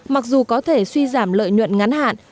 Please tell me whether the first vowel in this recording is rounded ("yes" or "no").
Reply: no